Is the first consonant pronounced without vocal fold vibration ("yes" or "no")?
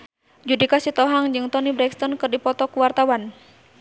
no